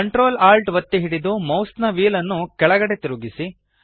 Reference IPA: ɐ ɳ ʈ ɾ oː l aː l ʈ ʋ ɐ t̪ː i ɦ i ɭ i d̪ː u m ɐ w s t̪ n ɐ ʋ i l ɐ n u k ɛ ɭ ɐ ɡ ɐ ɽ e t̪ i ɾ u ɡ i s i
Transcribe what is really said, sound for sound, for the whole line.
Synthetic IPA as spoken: ɐ ɳ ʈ ɾ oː l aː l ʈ ʋ ɐ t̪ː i ɦ i ɽ i d̪ u m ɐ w s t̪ n ɐ ʋ iː l ɐ nː u k ɛ ɭ ɐ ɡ ɐ ɽ e t̪ i ɾ u ɡ i s i